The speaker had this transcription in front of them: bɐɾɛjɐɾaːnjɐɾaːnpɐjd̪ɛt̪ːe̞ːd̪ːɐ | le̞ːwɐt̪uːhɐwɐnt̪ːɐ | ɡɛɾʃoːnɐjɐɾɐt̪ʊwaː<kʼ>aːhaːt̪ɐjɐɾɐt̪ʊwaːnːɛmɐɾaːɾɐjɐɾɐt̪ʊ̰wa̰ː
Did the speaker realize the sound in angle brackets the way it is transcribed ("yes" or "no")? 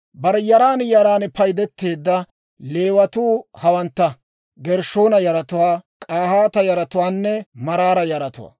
yes